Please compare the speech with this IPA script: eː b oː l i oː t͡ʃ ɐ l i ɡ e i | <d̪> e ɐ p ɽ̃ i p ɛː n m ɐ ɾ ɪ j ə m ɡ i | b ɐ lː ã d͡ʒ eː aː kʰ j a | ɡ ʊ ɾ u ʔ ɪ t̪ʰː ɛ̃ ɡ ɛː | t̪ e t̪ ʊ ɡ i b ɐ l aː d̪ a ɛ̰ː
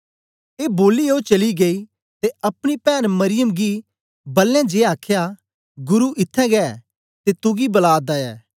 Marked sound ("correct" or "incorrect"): incorrect